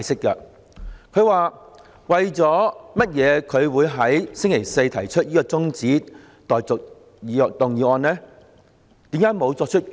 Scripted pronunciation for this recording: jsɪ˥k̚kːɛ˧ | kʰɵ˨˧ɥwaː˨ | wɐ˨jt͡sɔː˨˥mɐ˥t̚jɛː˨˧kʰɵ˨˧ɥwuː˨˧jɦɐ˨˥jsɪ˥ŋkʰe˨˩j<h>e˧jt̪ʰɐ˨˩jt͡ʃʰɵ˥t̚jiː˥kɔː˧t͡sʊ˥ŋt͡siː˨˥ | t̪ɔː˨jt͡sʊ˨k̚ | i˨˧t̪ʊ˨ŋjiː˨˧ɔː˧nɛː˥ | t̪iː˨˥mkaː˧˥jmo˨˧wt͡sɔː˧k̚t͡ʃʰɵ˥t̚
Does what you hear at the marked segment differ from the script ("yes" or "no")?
yes